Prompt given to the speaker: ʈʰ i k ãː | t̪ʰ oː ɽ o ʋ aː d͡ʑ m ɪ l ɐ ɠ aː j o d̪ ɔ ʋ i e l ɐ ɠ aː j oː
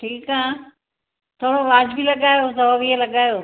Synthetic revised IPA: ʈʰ iː k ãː | t̪ʰ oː ɽ o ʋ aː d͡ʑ b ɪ l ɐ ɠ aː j o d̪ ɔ ʋ i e l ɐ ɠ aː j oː